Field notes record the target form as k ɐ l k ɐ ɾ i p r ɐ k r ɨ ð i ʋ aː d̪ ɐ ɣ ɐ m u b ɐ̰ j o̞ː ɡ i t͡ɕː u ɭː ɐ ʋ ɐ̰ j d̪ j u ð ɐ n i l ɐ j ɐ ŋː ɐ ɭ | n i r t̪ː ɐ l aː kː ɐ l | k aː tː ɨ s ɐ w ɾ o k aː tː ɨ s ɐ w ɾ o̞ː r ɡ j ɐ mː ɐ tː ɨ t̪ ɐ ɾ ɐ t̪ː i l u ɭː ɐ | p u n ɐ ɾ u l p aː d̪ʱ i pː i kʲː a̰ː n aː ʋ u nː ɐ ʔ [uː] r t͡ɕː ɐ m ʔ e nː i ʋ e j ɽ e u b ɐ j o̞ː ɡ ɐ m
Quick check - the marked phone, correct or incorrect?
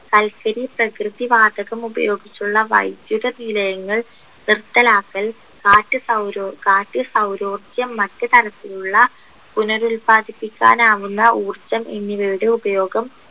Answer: correct